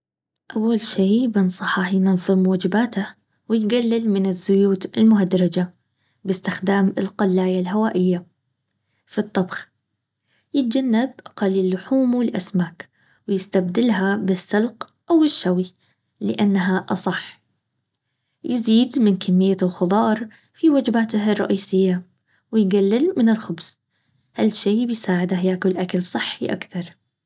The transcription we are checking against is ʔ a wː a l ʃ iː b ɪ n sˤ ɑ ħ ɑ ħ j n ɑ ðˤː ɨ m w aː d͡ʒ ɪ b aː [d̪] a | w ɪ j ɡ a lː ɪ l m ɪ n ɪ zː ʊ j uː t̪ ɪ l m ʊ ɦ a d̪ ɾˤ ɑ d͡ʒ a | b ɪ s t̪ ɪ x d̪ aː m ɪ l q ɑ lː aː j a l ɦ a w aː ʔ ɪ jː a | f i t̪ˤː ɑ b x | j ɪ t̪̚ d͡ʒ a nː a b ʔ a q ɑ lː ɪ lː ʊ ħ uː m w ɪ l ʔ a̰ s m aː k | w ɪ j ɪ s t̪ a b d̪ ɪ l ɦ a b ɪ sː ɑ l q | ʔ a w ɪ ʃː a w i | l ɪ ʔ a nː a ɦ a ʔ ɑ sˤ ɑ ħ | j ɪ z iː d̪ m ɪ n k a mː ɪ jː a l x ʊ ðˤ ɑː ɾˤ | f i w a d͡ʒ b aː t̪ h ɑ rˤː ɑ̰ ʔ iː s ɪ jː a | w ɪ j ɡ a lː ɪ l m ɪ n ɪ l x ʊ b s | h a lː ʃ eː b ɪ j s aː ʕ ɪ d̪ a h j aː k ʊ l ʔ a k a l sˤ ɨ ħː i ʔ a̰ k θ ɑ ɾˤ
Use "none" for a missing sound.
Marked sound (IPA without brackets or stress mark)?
t̪